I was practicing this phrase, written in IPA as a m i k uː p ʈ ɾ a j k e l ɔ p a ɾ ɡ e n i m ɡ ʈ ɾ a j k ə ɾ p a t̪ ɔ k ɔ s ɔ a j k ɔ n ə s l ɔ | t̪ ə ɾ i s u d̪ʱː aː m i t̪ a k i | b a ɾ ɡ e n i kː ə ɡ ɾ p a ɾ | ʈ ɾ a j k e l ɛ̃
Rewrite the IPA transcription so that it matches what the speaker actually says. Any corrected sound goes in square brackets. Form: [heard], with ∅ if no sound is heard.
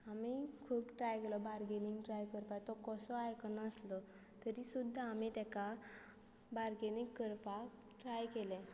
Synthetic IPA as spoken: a m i [kʰ] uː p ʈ ɾ a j k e l ɔ [b] a ɾ ɡ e n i [ŋ] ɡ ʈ ɾ a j k ə ɾ p a t̪ ɔ k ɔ s ɔ a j k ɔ n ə s l ɔ | t̪ ə ɾ i s u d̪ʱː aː m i t̪ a k [a] | b a ɾ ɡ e n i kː ə [∅] ɾ p a [∅] | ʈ ɾ a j k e l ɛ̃